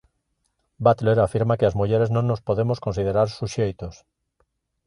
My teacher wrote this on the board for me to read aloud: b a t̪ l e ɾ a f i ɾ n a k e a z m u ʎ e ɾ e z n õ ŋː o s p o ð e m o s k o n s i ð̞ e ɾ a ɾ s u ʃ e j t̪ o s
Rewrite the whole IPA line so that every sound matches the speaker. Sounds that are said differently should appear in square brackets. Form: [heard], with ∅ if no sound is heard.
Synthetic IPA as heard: b a t̪ l e ɾ a f i ɾ [m] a k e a z m u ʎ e ɾ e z n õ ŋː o s p o ð e m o s k o n s i ð̞ e ɾ a ɾ s u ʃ e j t̪ o s